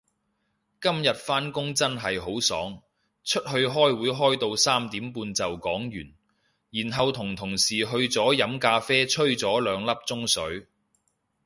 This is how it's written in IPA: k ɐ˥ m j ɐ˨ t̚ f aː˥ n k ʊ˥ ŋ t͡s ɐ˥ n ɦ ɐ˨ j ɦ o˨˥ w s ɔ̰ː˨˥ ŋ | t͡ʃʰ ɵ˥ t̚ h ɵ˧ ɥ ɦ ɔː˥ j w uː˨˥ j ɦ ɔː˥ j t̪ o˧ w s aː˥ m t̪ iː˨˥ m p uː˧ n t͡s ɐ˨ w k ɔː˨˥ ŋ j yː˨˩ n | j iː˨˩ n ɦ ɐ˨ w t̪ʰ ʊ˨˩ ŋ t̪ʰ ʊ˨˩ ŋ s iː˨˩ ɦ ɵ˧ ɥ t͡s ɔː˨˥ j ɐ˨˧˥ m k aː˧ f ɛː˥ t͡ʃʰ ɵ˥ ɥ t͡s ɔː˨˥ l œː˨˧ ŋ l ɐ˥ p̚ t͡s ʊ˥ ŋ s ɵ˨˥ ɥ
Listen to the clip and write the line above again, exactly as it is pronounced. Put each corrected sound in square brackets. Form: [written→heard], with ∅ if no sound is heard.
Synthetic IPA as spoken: k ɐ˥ m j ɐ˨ t̚ f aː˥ n k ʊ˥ ŋ t͡s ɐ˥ n ɦ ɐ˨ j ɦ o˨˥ w s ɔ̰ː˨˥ ŋ | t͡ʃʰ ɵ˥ t̚ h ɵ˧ ɥ ɦ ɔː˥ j w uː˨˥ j ɦ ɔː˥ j t̪ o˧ w s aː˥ m t̪ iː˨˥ m p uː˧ n t͡s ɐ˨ w k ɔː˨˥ ŋ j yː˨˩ n | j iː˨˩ n ɦ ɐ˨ w t̪ʰ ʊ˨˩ ŋ t̪ʰ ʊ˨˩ ŋ s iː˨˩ ɦ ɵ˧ ɥ t͡s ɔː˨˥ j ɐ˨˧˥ m k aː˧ f ɛː˥ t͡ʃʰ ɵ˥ ɥ t͡s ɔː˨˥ l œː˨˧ ŋ l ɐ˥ p̚ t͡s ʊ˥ ŋ s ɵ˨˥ ɥ